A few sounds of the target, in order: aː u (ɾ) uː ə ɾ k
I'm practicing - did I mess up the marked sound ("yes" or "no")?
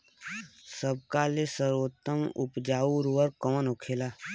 no